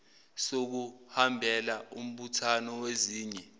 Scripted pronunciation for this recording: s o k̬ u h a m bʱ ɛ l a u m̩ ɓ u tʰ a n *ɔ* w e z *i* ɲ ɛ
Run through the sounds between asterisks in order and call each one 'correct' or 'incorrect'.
correct, incorrect: iː

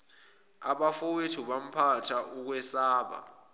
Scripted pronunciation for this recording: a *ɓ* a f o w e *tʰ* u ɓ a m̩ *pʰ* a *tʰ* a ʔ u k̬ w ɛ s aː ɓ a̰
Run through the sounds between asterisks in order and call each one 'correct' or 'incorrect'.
correct, correct, correct, correct

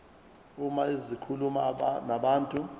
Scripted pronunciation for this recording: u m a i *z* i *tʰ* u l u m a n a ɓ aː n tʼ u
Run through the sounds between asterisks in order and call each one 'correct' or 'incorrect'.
correct, incorrect: kʰ

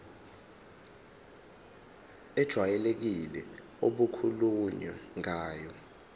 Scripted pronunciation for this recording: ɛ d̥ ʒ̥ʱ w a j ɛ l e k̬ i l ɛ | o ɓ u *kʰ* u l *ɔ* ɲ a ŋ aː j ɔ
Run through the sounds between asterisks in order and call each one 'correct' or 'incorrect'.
correct, incorrect: u

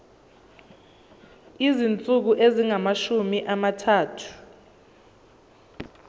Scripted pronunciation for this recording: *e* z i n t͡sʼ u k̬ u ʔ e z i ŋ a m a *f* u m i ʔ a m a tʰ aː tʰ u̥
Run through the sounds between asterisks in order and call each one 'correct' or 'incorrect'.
incorrect: i, incorrect: ʃ

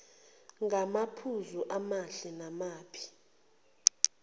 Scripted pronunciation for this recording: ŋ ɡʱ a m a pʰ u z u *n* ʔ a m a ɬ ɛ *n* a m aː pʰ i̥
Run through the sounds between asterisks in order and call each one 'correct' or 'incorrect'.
incorrect: none, correct

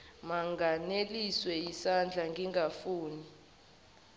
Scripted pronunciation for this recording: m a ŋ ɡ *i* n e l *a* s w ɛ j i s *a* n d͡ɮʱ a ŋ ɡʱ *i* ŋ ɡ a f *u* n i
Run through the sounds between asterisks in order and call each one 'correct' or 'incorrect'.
incorrect: a, incorrect: i, correct, correct, incorrect: uː

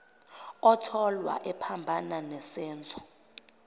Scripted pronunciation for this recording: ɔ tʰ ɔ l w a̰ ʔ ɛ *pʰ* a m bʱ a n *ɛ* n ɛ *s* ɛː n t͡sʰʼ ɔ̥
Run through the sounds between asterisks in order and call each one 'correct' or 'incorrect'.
correct, incorrect: a, correct

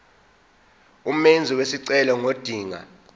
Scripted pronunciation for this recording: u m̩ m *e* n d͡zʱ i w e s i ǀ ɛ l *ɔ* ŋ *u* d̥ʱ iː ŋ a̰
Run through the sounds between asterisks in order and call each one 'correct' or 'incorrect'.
correct, correct, incorrect: o

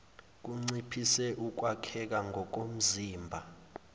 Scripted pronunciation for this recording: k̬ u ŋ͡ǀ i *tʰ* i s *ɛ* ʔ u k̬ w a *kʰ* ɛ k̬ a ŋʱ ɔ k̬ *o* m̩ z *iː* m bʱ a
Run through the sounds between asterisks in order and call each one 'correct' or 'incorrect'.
incorrect: pʰ, correct, correct, correct, correct

